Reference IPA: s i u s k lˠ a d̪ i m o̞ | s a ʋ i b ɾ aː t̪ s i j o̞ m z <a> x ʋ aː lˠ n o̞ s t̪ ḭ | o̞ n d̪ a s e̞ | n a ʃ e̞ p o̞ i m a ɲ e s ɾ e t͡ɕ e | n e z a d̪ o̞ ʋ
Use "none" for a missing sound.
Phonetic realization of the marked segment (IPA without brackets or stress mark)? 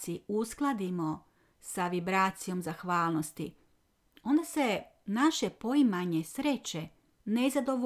a